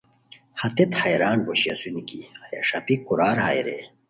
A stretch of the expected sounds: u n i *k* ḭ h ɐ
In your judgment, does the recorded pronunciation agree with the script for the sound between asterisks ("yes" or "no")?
yes